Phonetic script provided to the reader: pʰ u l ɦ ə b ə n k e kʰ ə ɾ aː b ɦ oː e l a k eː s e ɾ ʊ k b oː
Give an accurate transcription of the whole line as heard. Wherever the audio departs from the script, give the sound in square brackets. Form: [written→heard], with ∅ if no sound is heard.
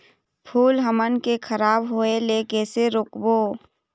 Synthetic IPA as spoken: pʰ [u→uː] l ɦ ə [b→m] ə n k e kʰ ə ɾ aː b ɦ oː e l [a→e] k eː s e ɾ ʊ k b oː